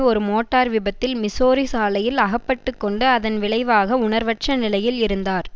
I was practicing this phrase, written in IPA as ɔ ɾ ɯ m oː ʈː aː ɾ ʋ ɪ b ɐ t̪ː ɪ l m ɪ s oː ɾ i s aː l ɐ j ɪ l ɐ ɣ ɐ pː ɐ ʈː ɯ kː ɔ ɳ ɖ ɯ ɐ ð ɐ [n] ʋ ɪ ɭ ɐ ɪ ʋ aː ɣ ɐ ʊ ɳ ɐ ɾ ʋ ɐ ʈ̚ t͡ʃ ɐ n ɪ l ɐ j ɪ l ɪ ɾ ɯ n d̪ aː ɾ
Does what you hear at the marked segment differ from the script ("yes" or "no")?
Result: no